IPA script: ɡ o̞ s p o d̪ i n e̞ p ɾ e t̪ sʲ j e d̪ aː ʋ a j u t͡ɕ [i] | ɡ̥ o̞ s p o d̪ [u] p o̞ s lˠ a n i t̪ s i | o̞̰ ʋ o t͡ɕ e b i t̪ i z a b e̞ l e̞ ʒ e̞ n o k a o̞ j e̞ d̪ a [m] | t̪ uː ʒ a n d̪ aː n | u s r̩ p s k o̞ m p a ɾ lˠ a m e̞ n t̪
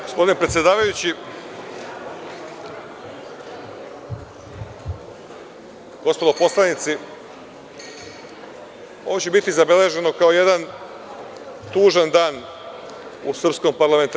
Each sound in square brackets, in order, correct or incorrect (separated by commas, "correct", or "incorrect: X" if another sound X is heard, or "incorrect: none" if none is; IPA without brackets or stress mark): correct, incorrect: o, incorrect: n